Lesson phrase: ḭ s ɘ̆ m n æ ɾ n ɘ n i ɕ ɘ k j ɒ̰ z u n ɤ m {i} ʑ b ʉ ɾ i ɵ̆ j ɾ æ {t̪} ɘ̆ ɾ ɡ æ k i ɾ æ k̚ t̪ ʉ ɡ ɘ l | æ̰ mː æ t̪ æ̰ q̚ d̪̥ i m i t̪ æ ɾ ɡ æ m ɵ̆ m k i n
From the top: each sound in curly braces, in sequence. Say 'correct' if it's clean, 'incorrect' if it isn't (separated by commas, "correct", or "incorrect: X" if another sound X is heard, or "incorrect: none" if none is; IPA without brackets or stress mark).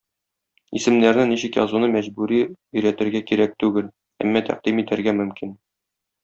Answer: incorrect: æ, correct